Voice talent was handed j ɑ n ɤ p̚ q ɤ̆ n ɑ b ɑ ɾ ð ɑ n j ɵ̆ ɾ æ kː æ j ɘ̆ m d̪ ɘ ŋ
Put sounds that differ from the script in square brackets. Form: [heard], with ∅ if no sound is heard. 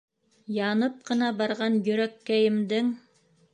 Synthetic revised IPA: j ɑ n ɤ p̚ q ɤ̆ n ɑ b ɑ ɾ [ʁ] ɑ n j ɵ̆ ɾ æ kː æ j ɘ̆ m d̪ ɘ ŋ

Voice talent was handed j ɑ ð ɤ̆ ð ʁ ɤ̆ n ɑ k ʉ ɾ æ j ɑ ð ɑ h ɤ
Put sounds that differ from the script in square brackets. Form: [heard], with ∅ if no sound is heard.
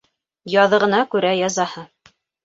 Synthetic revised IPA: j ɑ ð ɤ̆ [∅] ʁ ɤ̆ n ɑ k ʉ ɾ æ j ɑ [z] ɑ h ɤ

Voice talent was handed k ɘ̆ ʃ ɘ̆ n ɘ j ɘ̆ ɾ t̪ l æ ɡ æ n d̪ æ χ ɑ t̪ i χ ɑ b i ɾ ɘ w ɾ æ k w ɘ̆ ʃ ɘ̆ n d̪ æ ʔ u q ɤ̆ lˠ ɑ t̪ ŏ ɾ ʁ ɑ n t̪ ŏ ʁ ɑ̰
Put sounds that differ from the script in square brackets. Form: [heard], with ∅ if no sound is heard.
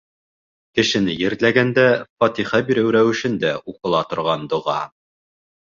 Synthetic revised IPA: k ɘ̆ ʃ ɘ̆ n ɘ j ɘ̆ ɾ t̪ l æ ɡ æ n d̪ æ [f] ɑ t̪ i χ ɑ b i ɾ ɘ w ɾ æ [∅] w ɘ̆ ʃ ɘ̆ n d̪ æ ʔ u q ɤ̆ lˠ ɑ t̪ ŏ ɾ ʁ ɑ n [d̪] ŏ ʁ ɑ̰

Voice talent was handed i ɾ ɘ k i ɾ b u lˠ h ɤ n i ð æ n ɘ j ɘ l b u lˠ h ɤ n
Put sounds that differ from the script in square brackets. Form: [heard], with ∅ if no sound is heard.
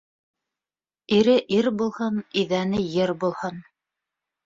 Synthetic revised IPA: i ɾ ɘ [ʔ] i ɾ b u lˠ h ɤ n i ð æ n ɘ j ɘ [ɾ] b u lˠ h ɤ n

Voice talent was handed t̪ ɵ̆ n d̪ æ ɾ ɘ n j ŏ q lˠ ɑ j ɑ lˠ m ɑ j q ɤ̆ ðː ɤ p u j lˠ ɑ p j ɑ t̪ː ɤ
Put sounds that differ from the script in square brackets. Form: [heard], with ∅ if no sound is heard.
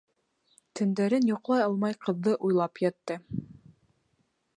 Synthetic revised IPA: t̪ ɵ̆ n d̪ æ ɾ ɘ n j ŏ q lˠ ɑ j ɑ lˠ m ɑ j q ɤ̆ ðː ɤ [ʔ] u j lˠ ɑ p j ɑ t̪ː ɤ

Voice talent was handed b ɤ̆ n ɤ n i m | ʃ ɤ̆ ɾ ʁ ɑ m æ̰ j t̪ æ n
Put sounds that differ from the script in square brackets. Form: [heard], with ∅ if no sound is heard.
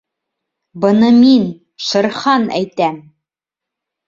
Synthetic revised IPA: b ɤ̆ n ɤ [m] i [n] | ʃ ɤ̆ ɾ [χ] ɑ [n] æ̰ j t̪ æ [m]

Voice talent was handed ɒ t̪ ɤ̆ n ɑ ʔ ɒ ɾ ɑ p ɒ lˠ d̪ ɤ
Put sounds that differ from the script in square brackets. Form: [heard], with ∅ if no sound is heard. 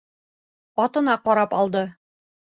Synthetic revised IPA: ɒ t̪ ɤ̆ n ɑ [q] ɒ ɾ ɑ p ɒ lˠ d̪ ɤ

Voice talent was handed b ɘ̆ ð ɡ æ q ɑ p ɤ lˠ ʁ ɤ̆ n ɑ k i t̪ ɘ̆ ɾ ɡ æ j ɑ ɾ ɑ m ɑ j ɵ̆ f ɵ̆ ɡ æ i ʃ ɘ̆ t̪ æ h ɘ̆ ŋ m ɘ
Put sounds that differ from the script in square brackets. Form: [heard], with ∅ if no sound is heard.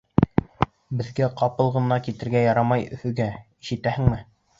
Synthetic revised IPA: b ɘ̆ ð ɡ æ q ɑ p ɤ lˠ ʁ ɤ̆ n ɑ k i t̪ ɘ̆ ɾ ɡ æ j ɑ ɾ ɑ m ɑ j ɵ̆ f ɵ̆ ɡ æ i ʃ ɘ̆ t̪ æ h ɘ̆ ŋ m ɘ

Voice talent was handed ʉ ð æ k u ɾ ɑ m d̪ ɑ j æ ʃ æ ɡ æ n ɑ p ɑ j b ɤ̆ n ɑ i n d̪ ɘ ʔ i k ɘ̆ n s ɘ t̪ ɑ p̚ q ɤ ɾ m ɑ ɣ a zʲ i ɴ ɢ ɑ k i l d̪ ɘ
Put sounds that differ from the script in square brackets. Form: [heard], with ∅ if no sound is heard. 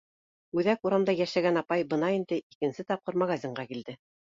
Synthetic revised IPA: ʉ ð æ k u ɾ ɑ m d̪ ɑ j æ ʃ æ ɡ æ n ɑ p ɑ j b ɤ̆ n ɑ i n d̪ ɘ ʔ i k ɘ̆ n s ɘ t̪ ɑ p̚ q ɤ ɾ m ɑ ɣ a zʲ i ɴ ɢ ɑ k i l d̪ ɘ

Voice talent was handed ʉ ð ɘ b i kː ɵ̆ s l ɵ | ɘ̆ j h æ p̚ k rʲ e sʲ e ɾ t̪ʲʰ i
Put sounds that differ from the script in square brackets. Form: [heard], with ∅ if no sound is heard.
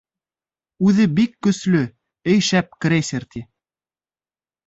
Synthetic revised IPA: ʉ ð ɘ b i kː ɵ̆ s l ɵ | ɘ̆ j [ʃ] æ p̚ k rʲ e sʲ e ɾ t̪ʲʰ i

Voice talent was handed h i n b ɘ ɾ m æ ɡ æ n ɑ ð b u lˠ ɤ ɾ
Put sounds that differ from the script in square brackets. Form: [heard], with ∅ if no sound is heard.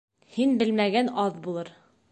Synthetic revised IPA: h i n b ɘ [l] m æ ɡ æ n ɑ ð b u lˠ ɤ ɾ

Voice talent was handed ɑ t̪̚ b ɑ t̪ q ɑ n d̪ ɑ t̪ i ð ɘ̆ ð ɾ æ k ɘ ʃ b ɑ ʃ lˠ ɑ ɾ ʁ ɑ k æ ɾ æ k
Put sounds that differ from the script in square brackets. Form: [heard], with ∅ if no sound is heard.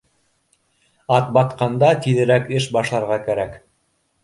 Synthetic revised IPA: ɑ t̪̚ b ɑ t̪ q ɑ n d̪ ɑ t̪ i ð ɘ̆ [∅] ɾ æ k ɘ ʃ b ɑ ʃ lˠ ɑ ɾ ʁ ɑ k æ ɾ æ k

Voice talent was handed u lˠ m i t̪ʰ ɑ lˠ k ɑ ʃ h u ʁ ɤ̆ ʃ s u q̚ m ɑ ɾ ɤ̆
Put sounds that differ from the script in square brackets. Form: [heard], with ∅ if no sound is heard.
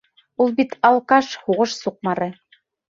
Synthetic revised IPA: u lˠ [b] i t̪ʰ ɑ lˠ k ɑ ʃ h u ʁ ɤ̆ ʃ s u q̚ m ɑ ɾ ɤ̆

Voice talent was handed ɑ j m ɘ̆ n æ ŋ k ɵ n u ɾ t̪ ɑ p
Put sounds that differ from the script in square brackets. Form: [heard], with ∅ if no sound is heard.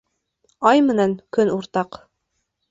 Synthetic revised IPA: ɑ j m ɘ̆ n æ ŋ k ɵ n u ɾ t̪ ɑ [q]

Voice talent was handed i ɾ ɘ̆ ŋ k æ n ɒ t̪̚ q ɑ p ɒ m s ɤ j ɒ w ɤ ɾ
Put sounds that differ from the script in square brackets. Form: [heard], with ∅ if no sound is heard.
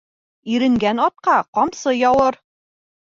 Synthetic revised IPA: i ɾ ɘ̆ ŋ [ɡ] æ n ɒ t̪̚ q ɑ [q] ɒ m s ɤ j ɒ w ɤ ɾ

